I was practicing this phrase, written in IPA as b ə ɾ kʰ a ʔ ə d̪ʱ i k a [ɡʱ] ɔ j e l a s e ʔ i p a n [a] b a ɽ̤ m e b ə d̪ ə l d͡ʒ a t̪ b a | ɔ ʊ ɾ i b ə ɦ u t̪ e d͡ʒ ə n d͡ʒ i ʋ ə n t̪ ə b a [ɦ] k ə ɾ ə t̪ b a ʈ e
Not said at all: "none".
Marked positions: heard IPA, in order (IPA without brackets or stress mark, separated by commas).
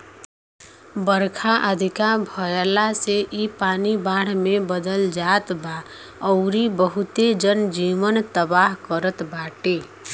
bʱ, i, ɦ